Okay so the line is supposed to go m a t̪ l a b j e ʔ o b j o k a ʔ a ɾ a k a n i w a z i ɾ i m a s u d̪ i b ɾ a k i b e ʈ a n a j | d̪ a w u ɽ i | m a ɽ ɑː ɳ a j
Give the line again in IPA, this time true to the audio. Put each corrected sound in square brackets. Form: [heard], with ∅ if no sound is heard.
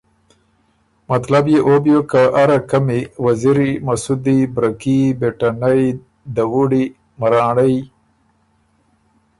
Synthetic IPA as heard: m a t̪ l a b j e ʔ o b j o k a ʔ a ɾ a k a [m] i w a z i ɾ i m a s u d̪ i b ɾ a k i b e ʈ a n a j | d̪ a w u ɽ i | m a [ɾ] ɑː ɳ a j